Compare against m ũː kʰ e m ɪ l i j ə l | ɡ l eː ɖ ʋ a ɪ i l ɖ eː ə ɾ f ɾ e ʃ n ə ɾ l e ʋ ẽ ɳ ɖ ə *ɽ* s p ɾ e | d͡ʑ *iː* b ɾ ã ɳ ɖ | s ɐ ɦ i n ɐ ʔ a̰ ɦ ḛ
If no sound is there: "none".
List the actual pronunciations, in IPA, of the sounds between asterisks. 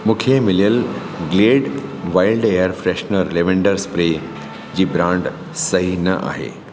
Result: ɾ, iː

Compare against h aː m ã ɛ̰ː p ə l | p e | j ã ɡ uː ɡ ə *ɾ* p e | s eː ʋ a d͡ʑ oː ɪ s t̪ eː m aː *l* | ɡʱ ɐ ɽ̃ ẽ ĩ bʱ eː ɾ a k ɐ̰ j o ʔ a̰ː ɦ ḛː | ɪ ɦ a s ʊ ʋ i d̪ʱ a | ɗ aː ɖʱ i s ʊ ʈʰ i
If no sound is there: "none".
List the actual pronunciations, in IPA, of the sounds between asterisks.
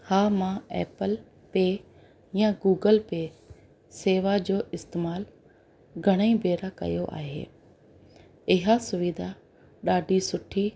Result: l, l

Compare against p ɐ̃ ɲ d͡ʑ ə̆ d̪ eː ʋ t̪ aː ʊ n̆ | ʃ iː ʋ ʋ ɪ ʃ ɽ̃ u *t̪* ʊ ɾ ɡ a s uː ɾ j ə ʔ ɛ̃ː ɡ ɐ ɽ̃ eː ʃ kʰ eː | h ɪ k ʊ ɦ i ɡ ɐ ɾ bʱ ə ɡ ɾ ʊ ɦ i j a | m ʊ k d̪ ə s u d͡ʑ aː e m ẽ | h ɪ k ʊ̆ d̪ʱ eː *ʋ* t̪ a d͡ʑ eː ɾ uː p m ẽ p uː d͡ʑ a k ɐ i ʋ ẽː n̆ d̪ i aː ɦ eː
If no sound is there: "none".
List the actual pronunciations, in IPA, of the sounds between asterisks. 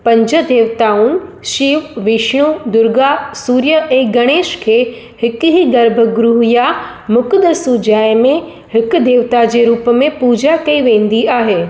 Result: d̪, ʋ

